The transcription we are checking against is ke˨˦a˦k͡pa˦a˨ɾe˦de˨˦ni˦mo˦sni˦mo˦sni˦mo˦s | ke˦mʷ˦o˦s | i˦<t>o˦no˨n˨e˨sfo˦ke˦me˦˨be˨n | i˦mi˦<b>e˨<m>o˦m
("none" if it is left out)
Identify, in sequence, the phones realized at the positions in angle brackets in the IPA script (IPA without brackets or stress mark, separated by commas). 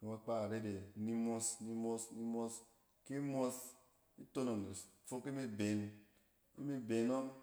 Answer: t, b, n